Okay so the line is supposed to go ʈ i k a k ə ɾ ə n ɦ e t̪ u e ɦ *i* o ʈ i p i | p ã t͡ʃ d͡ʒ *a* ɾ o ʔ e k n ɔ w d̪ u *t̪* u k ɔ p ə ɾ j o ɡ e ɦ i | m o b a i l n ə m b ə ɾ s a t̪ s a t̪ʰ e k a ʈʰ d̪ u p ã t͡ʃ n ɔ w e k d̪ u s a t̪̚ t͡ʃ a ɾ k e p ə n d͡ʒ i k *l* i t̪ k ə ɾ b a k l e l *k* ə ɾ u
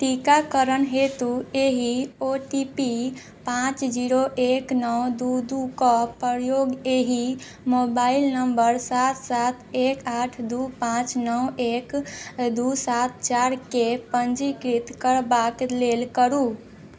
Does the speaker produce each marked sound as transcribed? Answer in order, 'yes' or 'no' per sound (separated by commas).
yes, no, no, no, yes